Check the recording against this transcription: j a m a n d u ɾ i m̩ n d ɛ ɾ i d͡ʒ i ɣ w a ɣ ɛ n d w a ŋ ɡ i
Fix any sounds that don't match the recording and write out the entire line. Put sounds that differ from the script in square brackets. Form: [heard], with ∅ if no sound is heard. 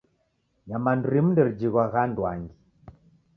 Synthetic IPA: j a m a n d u ɾ i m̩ n d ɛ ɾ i d͡ʒ i ɣ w a ɣ [a] n d w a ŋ ɡ i